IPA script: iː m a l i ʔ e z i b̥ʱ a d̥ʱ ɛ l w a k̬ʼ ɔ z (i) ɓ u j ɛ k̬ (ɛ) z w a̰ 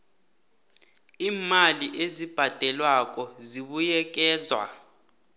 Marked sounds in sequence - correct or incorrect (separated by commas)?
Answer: correct, incorrect